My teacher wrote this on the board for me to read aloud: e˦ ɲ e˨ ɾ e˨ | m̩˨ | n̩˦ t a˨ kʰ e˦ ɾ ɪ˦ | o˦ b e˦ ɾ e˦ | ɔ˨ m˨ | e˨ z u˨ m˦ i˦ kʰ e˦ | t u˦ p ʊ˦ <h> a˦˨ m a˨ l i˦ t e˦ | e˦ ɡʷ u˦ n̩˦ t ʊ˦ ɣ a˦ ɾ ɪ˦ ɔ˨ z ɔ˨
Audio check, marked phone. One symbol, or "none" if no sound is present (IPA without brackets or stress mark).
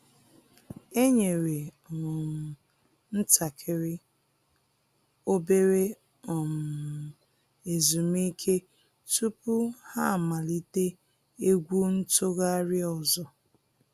h